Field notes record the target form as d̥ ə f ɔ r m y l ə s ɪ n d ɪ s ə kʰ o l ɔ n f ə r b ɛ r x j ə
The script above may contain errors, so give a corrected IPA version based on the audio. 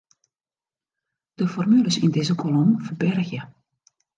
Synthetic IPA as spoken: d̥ ə f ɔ r m y l ə s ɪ n d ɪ z ə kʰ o l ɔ m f ə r b ɛ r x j ə